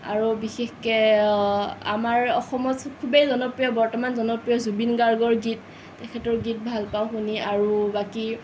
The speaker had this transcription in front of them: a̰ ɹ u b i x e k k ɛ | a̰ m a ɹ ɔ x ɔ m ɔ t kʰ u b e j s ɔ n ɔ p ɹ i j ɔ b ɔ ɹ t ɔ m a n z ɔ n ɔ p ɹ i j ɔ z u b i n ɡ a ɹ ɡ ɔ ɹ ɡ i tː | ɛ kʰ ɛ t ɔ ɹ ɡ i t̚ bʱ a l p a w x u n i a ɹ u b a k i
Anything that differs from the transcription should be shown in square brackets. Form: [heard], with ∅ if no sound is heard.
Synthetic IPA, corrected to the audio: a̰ ɹ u b i x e [x] k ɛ | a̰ m a ɹ ɔ x ɔ m ɔ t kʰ u b e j [z] ɔ n ɔ p ɹ i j ɔ b ɔ ɹ t ɔ m a n z ɔ n ɔ p ɹ i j ɔ z u b i n ɡ a ɹ ɡ ɔ ɹ ɡ i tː | ɛ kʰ ɛ t ɔ ɹ ɡ i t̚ bʱ a l p a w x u n i a ɹ u b a k i